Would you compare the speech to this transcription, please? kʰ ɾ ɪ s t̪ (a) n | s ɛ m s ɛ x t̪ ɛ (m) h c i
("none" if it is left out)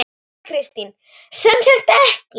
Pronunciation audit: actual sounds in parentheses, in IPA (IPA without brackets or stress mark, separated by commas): i, none